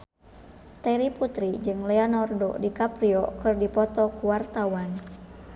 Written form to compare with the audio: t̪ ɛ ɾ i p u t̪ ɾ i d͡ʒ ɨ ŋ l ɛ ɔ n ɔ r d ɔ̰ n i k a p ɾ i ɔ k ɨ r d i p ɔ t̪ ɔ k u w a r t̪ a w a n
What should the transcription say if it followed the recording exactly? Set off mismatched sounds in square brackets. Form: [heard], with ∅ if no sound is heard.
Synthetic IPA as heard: t̪ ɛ ɾ i p u t̪ ɾ i d͡ʒ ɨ ŋ l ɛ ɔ n ɔ r d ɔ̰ [d] i k a p ɾ i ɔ k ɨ r d i p ɔ t̪ ɔ k u w a r t̪ a w a n